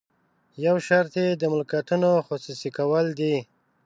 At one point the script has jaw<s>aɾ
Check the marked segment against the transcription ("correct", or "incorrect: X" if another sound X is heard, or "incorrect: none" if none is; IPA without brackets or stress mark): incorrect: ʃ